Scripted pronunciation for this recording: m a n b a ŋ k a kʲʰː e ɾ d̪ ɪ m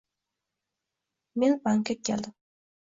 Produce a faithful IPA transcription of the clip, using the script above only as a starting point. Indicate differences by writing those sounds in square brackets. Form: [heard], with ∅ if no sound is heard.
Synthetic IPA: m [e] n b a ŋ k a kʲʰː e [l] d̪ ɪ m